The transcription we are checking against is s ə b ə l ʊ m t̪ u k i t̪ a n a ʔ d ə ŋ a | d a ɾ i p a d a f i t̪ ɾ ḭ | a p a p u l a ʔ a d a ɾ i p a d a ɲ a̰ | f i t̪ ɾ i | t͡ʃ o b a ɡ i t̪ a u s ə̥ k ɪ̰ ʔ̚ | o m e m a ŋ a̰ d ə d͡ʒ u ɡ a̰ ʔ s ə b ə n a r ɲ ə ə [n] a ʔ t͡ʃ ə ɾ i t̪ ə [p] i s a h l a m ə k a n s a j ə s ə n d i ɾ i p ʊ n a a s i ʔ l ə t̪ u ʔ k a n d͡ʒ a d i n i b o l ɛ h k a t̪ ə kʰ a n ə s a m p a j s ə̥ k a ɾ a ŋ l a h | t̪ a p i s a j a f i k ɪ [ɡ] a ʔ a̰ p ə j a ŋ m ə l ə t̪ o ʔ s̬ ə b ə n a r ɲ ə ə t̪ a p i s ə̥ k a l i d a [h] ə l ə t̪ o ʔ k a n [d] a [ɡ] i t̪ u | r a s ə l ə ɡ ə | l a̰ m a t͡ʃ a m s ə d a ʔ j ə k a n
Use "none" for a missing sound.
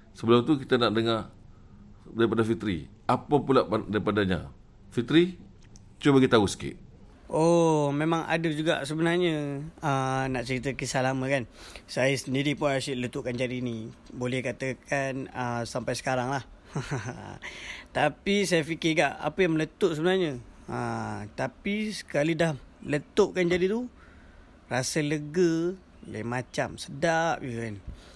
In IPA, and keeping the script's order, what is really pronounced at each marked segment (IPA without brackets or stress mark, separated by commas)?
n, k, ɡ, h, d͡ʒ, d